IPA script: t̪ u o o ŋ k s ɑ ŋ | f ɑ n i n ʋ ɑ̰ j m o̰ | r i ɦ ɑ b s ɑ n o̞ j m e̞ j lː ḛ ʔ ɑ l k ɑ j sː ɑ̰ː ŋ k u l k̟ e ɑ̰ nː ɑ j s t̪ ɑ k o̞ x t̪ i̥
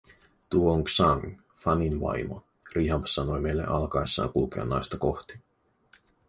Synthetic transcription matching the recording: t̪ u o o ŋ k s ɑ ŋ | f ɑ n i n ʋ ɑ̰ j m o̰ | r i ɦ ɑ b s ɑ n o̞ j m e̞ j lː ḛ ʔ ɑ l k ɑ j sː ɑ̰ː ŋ k u l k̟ e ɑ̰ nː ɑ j s t̪ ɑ k o̞ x t̪ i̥